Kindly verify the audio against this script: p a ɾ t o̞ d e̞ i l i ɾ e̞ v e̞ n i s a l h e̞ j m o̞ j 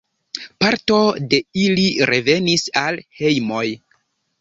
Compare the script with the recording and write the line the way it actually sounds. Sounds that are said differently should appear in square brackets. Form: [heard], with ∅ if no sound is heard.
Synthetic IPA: p a ɾ t o̞ d e̞ i l i ɾ e̞ v e̞ n i s a l h e̞ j m o̞ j